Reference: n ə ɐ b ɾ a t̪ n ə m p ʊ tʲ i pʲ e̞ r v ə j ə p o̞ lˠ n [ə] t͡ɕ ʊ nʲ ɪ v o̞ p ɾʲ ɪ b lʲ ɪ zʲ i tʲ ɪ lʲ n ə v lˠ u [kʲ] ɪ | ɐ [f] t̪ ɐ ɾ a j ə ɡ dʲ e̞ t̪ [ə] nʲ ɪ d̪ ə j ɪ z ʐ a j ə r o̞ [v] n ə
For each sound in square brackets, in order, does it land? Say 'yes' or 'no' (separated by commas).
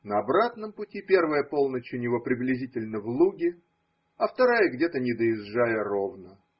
yes, no, yes, yes, yes